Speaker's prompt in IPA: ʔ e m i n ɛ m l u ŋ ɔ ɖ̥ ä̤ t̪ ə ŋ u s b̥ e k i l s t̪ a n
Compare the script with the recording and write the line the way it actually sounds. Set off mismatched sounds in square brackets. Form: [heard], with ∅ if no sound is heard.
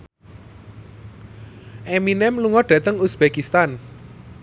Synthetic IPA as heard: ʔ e m i n ɛ m l u ŋ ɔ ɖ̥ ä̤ t̪ ə ŋ u s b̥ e k i [∅] s t̪ a n